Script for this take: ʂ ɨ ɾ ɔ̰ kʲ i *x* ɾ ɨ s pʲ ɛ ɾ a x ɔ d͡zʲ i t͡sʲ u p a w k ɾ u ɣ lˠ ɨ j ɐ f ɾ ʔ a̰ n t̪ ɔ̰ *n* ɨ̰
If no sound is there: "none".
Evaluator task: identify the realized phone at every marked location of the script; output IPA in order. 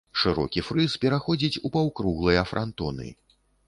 f, n

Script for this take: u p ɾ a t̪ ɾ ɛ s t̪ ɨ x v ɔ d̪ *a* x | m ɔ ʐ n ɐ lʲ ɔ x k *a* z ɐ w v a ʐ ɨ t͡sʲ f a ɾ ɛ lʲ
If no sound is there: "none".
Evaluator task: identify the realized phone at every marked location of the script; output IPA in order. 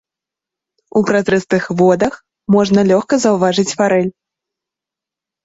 ɐ, ɐ

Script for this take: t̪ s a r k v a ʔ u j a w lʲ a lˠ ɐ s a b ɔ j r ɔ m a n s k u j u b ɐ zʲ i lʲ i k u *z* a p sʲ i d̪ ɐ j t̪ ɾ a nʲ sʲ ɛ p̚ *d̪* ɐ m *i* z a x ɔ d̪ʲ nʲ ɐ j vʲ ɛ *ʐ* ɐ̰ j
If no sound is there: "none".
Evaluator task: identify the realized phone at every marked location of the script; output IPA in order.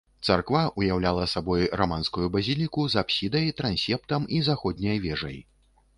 z, t̪, i, ʐ

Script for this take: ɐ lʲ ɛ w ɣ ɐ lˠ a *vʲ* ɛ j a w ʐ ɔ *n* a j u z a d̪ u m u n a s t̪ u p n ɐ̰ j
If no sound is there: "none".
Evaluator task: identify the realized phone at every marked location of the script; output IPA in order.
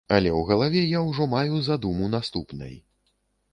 vʲ, m

